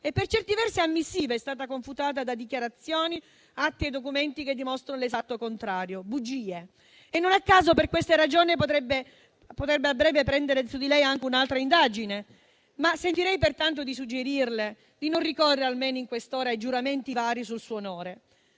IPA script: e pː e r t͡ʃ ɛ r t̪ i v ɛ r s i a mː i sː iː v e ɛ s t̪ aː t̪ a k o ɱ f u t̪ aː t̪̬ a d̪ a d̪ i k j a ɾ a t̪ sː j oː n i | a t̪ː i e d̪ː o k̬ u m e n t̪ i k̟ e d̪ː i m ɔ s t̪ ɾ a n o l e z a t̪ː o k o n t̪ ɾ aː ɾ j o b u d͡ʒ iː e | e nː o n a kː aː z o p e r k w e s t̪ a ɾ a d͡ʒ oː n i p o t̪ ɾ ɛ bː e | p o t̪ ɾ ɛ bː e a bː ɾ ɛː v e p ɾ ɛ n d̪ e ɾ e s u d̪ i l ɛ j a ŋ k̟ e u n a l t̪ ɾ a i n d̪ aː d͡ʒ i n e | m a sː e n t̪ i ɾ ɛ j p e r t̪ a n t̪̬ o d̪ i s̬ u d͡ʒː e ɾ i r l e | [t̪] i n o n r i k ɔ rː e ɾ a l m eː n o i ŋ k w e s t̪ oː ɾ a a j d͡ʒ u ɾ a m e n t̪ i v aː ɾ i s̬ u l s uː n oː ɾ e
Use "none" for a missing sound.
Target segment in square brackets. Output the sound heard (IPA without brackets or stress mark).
d̪